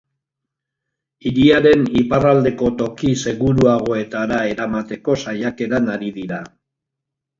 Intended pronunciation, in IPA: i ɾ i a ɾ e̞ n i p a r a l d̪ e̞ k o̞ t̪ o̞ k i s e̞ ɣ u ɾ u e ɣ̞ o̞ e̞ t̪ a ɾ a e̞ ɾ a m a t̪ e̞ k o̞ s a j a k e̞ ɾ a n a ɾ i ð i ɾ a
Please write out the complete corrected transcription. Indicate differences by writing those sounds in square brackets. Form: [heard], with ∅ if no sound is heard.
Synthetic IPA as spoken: i ɾ i a ɾ e̞ n i p a r a l d̪ e̞ k o̞ t̪ o̞ k i s e̞ ɣ u ɾ u [a] ɣ̞ o̞ e̞ t̪ a ɾ a e̞ ɾ a m a t̪ e̞ k o̞ s a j a k e̞ ɾ a n a ɾ i ð i ɾ a